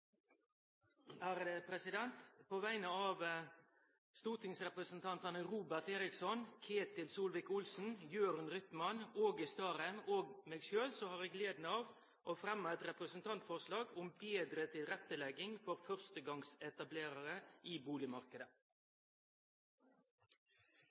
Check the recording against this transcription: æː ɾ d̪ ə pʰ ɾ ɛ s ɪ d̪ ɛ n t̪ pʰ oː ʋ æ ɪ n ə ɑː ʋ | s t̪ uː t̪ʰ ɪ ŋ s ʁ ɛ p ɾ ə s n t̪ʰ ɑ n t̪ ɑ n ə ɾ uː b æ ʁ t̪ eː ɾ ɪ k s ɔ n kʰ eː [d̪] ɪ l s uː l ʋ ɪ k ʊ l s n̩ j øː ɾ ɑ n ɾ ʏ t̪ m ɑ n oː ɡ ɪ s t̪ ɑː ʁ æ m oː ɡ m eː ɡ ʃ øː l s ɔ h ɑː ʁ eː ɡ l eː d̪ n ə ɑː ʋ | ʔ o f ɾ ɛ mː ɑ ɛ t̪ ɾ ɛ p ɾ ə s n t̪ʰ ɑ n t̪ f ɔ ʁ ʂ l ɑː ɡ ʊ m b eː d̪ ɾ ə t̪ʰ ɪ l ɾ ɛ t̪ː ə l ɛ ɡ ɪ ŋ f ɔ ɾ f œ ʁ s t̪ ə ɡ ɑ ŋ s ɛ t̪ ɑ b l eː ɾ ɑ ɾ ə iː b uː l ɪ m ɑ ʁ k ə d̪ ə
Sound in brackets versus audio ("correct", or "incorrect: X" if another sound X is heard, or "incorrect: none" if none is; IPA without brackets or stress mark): incorrect: t̪